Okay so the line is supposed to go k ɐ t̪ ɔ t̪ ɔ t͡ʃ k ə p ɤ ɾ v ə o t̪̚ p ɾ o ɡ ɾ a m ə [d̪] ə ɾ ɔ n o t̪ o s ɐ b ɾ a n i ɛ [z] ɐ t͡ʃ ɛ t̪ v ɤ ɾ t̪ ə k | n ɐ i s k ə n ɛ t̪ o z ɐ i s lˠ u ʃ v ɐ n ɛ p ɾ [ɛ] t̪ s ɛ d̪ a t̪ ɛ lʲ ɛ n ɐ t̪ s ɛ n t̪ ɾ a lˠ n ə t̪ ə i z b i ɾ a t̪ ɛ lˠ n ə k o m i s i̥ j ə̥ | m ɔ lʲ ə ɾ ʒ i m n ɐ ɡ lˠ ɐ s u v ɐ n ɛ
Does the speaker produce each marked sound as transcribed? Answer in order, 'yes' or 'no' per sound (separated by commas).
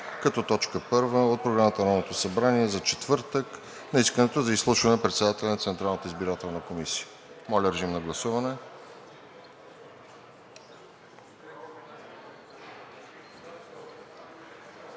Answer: no, yes, yes